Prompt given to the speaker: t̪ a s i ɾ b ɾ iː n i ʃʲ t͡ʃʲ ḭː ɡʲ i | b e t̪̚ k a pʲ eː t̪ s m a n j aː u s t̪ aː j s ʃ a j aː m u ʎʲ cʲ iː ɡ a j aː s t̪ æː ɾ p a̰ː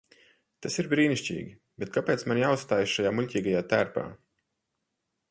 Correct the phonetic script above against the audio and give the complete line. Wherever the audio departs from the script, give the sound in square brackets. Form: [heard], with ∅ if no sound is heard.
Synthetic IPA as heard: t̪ a s i ɾ b ɾ iː n i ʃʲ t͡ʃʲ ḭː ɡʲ i | b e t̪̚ k a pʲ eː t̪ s m a n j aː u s t̪ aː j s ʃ a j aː m u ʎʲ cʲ iː ɡ a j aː [∅] t̪ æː ɾ p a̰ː